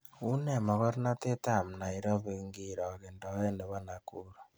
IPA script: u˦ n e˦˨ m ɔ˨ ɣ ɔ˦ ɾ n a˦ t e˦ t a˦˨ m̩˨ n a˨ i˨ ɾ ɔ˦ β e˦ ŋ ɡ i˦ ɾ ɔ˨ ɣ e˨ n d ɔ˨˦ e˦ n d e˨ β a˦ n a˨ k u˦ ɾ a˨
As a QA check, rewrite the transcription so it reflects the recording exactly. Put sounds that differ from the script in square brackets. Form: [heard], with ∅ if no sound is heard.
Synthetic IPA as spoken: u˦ n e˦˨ m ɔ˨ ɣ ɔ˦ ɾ n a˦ t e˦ t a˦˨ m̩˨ n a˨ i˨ ɾ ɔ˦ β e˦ ŋ ɡ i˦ ɾ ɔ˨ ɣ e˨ n d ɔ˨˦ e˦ n d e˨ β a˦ n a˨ k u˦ ɾ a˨